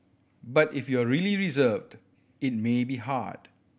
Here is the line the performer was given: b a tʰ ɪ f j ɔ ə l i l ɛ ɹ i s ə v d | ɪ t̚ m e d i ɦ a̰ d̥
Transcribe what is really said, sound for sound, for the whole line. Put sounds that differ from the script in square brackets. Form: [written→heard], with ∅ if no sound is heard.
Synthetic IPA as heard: b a [tʰ→t] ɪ f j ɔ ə [l→ɹ] i l [ɛ→i] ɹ i [s→z] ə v d | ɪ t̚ m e [d→b] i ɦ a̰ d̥